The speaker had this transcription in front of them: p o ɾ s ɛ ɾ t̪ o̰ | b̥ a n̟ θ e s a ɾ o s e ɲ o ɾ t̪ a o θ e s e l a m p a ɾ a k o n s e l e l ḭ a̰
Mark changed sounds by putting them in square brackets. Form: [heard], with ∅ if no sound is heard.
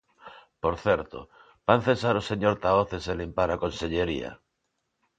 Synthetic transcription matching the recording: p o ɾ [θ] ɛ ɾ t̪ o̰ | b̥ a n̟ θ e s a ɾ o s e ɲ o ɾ t̪ a o θ e s e l [i] m p a ɾ a k o n s e [ʎ] e [ɾ] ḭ a̰